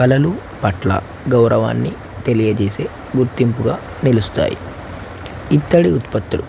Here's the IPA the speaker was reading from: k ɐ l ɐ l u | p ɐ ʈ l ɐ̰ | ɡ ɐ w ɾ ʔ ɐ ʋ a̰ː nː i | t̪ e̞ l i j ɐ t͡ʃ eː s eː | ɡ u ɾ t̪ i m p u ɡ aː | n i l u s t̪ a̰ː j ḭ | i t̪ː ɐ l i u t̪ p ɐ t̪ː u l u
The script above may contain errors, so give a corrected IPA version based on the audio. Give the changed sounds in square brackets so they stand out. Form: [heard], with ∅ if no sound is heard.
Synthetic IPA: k ɐ l ɐ l u | p ɐ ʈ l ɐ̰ | ɡ ɐ w ɾ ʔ ɐ ʋ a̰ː nː i | t̪ e̞ l i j ɐ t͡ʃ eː s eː | ɡ u ɾ t̪ i m p u ɡ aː | n i l u s t̪ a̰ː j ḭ | i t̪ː ɐ [ɽ] i u t̪ p ɐ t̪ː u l u